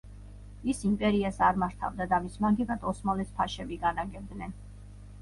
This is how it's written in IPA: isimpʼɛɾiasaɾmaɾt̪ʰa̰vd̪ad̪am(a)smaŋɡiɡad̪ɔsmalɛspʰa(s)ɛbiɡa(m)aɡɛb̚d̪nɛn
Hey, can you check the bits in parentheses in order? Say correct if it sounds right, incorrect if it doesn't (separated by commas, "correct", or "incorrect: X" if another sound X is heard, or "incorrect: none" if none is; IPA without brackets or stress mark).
incorrect: i, incorrect: ʃ, incorrect: n